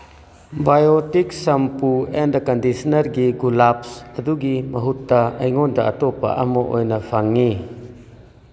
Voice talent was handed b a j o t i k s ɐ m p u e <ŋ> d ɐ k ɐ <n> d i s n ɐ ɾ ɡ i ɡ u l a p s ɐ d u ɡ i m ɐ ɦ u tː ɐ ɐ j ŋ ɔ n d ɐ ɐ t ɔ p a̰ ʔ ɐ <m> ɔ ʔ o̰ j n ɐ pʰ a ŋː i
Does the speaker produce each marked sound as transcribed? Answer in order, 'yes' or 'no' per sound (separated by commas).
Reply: no, yes, yes